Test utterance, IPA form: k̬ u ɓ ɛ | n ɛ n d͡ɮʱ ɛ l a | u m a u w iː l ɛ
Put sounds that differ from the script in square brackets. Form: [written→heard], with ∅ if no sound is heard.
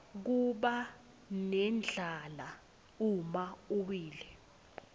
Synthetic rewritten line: k̬ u ɓ [ɛ→a] | n ɛ n d͡ɮʱ [ɛ→a] l a | u m a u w iː l ɛ